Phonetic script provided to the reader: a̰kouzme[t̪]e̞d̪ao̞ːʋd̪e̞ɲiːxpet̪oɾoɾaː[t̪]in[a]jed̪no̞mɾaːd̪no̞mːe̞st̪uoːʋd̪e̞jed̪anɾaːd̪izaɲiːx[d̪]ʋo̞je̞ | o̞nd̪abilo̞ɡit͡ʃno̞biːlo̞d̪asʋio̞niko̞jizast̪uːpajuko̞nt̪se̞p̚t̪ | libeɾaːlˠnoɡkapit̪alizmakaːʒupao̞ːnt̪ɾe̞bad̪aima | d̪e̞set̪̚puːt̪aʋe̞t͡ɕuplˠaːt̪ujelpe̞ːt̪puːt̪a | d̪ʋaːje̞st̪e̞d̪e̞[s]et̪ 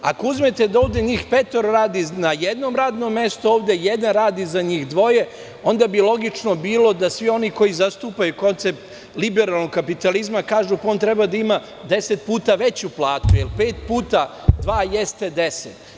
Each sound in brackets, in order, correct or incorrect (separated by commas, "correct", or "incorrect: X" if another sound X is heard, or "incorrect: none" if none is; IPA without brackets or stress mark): correct, incorrect: d̪, correct, correct, correct